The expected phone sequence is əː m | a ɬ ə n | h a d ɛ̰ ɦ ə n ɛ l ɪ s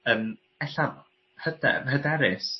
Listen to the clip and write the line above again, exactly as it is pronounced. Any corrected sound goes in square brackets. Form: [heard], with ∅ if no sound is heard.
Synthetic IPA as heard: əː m | [ɛ] ɬ [a] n | h [ə] d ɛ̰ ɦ ə [d] ɛ [ɾ] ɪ s

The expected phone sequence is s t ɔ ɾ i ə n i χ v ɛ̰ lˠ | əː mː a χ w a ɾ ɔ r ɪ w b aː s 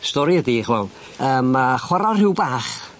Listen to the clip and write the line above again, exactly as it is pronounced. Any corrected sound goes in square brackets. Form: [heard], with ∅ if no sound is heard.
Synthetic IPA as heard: s t ɔ ɾ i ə [d] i χ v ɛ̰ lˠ | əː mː a χ w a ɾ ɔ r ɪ w b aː [χ]

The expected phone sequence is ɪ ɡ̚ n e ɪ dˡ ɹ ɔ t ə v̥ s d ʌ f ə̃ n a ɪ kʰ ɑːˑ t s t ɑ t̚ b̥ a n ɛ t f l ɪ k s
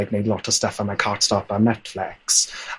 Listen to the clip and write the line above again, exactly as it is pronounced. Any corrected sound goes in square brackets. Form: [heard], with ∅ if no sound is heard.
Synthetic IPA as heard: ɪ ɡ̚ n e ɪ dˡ [l] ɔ t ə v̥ s [t] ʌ f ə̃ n a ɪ kʰ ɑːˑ t s t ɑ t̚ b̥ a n ɛ t f l ɪ k s

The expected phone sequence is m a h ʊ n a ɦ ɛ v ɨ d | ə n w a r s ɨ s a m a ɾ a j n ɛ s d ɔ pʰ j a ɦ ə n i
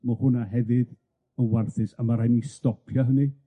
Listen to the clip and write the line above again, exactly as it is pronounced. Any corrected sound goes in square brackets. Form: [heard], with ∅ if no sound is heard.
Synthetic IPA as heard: m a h ʊ n a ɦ ɛ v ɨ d | ə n w a r [θ] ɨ s a m a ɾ a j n [i] s [t] ɔ pʰ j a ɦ ə n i

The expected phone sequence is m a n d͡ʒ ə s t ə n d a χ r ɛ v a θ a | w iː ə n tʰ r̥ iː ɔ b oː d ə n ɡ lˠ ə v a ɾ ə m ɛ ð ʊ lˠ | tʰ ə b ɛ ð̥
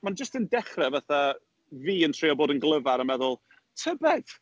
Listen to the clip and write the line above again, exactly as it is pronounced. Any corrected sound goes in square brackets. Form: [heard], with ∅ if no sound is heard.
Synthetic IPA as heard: m a n d͡ʒ ə s t ə n d [ɛ] χ r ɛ v a θ a | [v] iː ə n tʰ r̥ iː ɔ b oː d ə n ɡ lˠ ə v a ɾ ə m ɛ ð ʊ lˠ | tʰ ə b ɛ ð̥

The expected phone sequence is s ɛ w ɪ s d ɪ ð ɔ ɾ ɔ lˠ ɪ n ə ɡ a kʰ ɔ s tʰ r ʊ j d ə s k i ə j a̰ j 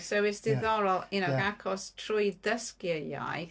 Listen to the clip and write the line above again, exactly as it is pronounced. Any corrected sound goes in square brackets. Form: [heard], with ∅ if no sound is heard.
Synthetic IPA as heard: s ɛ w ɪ s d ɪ ð ɔ ɾ ɔ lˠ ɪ n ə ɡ a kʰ ɔ s tʰ r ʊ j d ə s k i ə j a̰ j

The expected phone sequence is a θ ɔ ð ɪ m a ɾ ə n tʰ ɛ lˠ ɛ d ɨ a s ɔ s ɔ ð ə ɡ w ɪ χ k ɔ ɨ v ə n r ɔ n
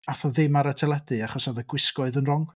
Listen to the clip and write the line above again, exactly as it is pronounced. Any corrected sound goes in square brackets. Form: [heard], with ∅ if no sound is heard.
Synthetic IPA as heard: a θ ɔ ð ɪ m a ɾ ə [∅] tʰ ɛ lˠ ɛ d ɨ a [χ] ɔ s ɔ ð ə ɡ w ɪ [s] k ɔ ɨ [ð] ə n r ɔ [ŋ]

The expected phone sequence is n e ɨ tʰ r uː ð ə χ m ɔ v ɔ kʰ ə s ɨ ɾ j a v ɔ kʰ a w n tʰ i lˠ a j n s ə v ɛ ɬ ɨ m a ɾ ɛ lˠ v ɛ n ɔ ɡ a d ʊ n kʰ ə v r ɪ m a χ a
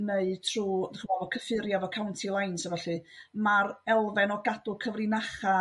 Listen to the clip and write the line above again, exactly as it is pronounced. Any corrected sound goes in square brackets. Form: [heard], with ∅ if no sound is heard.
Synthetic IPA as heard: n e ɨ tʰ r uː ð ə χ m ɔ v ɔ kʰ ə [f] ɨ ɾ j a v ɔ kʰ a w n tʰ i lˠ a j n s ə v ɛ ɬ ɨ m a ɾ ɛ lˠ v ɛ n ɔ ɡ a d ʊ [∅] kʰ ə v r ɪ [n] a χ a

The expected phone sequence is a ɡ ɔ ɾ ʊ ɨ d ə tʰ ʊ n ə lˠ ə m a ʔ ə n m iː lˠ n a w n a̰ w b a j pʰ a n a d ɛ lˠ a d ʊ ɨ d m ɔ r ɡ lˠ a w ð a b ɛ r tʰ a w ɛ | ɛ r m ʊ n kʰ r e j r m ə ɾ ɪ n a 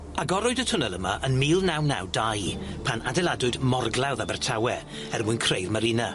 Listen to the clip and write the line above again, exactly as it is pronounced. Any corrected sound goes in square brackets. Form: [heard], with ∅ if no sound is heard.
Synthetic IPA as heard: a ɡ ɔ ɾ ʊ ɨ d ə tʰ ʊ n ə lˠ ə m a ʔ ə n m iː lˠ n a w n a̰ w [d] a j pʰ a n a d ɛ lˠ a d ʊ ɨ d m ɔ r ɡ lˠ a w ð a b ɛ r tʰ a w ɛ | ɛ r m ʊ n kʰ r e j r m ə ɾ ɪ n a

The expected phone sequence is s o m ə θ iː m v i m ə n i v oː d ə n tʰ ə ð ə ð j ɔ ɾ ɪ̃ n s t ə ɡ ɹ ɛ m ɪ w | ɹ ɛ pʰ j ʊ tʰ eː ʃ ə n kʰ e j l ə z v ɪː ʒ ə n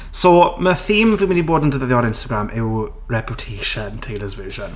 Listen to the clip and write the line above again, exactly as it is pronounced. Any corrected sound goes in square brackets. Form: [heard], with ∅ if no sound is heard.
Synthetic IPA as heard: s o m ə θ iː m v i m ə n i [b] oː d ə n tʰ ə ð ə ð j ɔ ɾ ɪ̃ n s t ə ɡ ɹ [a] m ɪ w | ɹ ɛ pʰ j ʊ tʰ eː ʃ ə n [tʰ] e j l ə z v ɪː ʒ ə n

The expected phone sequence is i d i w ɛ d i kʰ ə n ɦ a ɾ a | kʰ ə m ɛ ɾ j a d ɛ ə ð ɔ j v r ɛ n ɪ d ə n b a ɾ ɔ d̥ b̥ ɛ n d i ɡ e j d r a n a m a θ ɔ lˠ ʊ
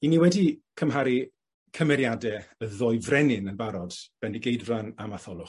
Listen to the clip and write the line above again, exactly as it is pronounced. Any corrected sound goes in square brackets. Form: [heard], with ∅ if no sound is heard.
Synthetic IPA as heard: i [n] i w ɛ d i kʰ ə [m] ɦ a ɾ [i] | kʰ ə m ɛ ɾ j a d ɛ ə ð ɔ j v r ɛ n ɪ [n] ə n b a ɾ ɔ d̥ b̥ ɛ n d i ɡ e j d r a n a m a θ ɔ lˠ ʊ

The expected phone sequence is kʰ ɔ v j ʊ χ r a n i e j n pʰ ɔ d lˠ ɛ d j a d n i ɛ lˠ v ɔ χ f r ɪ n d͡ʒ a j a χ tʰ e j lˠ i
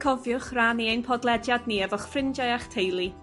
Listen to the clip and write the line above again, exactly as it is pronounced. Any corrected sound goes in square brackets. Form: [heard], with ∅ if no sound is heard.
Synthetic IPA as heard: kʰ ɔ v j ʊ χ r a n i e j n pʰ ɔ d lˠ ɛ d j a d n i ɛ [∅] v ɔ χ f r ɪ n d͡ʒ a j a χ tʰ e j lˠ i

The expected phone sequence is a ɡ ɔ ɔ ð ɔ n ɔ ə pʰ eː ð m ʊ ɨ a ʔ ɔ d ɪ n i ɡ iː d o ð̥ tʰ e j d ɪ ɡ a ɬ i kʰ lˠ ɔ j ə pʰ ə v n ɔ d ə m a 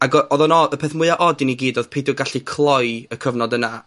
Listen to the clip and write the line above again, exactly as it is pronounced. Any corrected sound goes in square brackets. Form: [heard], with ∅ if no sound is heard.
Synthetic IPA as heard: a ɡ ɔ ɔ ð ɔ n ɔ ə pʰ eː [θ] m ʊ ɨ a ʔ ɔ d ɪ n i ɡ iː d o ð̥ [pʰ] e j d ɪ ɡ a ɬ i kʰ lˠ ɔ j ə [kʰ] ə v n ɔ d ə [n] a

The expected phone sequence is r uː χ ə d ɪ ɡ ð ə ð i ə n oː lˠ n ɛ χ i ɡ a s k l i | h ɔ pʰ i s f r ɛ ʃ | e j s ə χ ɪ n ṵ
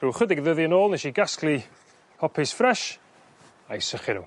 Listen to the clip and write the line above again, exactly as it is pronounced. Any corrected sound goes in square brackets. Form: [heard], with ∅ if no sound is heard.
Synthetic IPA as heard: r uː χ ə d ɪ ɡ ð ə ð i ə n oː lˠ n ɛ [ʃ] i ɡ a s k l i | h ɔ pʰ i s f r ɛ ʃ | [a] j s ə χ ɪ n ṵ

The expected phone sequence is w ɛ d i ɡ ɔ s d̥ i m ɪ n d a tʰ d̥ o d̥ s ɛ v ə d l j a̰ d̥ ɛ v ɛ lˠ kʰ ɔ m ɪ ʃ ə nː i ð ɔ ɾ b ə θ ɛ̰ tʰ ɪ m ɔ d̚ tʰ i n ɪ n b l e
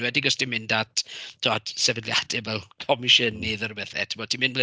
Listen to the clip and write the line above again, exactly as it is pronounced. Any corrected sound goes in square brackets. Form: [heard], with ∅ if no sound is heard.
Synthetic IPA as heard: w ɛ d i ɡ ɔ s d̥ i m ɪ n d a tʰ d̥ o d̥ s ɛ v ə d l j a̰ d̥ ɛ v ɛ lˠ kʰ ɔ m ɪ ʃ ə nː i ð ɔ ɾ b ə θ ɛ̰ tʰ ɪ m ɔ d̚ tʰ i [m] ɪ n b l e

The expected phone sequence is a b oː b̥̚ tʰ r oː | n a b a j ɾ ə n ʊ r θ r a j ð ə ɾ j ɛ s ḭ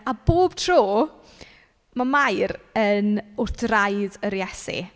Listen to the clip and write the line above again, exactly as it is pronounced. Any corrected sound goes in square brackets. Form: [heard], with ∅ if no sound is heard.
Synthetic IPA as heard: a b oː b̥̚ tʰ r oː | [m] a [m] a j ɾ ə n ʊ r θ r a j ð ə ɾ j ɛ s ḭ

